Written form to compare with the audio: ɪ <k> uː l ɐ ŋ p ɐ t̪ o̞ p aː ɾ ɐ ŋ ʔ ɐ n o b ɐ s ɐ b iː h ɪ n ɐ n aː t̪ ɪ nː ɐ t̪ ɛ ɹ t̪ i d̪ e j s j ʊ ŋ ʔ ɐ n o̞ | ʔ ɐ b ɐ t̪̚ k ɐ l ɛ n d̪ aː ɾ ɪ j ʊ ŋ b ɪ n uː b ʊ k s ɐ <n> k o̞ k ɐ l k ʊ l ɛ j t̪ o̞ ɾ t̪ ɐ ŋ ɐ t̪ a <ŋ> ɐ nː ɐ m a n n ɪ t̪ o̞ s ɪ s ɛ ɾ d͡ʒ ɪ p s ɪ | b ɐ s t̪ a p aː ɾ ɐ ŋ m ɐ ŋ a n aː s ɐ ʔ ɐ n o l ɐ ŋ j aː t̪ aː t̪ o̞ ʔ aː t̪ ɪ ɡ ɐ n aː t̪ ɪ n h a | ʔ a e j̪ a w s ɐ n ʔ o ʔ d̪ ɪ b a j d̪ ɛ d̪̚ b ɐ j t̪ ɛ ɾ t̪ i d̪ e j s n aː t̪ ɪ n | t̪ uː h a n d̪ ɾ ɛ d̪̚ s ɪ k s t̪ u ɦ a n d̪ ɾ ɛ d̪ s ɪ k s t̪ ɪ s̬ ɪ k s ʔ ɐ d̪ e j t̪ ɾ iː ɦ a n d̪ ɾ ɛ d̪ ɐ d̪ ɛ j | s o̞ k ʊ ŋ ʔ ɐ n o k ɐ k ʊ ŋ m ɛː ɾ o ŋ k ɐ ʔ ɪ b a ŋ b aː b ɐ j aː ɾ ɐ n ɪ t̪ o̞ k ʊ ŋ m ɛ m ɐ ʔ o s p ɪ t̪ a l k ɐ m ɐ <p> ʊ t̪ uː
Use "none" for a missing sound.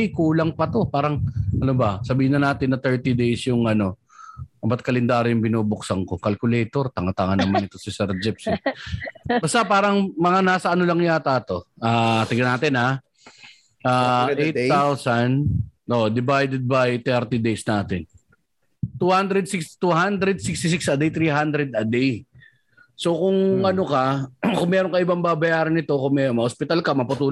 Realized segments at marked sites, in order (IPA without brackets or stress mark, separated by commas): k, ŋ, ŋ, p